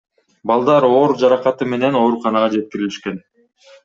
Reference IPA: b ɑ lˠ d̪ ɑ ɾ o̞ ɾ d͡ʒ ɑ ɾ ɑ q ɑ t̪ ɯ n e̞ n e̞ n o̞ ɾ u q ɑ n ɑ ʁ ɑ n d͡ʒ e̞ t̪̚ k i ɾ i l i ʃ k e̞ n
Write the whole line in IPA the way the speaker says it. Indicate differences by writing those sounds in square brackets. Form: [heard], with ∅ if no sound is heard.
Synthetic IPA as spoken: b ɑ lˠ d̪ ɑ ɾ o̞ ɾ d͡ʒ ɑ ɾ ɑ q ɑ t̪ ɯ [m] e̞ n e̞ n o̞ ɾ u q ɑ n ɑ ʁ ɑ [∅] d͡ʒ e̞ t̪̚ k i ɾ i l i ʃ k e̞ n

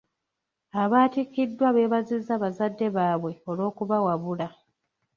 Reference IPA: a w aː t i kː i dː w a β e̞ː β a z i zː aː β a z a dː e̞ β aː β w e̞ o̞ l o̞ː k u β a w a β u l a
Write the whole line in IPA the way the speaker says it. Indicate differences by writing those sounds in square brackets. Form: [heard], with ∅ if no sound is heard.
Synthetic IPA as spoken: a [β] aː t i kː i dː w a β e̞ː β a z i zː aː β a z a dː e̞ β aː β w e̞ o̞ l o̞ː k u β a w a β u l a

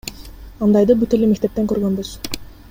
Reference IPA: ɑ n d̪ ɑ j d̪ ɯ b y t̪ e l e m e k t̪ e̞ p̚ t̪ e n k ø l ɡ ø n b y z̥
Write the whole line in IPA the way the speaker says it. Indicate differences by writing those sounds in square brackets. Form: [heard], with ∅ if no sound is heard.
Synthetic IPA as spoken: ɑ n d̪ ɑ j d̪ ɯ b y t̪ e l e m e k t̪ e̞ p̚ t̪ e [ŋ] k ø [ɾ] ɡ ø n b y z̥

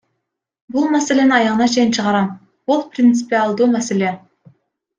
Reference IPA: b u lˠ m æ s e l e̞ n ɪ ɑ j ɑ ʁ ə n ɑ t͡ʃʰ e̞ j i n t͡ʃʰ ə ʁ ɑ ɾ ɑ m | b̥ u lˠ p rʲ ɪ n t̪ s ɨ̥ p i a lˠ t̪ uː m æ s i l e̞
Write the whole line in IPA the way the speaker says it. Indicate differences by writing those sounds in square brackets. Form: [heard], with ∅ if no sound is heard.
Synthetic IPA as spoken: b u lˠ m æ s e l e̞ n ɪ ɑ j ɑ ʁ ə n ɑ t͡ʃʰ e̞ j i n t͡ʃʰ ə ʁ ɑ ɾ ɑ m | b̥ u lˠ p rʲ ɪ n t̪ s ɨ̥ p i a lˠ [d̪] uː m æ s [e] l e̞

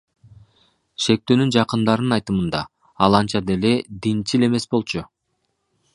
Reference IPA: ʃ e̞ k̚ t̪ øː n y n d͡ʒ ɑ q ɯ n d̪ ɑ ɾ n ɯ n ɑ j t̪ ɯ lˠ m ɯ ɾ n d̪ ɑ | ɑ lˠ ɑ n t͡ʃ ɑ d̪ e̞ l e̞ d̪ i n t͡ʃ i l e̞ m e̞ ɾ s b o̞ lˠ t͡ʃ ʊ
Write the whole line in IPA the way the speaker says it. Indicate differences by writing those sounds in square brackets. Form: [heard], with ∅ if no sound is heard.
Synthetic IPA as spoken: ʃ e̞ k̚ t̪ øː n y n d͡ʒ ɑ q ɯ n d̪ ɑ ɾ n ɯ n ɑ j t̪ ɯ [∅] m ɯ [∅] n d̪ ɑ | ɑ lˠ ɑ n t͡ʃ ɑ d̪ e̞ l e̞ d̪ i n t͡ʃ i l e̞ m e̞ [∅] s b o̞ lˠ t͡ʃ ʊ

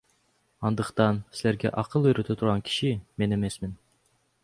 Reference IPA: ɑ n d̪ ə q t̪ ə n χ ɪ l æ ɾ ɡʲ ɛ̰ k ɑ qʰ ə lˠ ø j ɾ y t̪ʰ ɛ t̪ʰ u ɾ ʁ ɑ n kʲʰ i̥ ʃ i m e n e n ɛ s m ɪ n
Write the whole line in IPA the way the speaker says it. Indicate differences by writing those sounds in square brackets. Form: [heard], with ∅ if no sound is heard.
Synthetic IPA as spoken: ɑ n d̪ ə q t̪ [ɑ] n [s] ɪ l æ ɾ ɡʲ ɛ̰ [ʔ] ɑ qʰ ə lˠ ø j ɾ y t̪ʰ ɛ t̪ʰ u ɾ ʁ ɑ n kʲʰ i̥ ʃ i m e n e [m] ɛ s m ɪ n

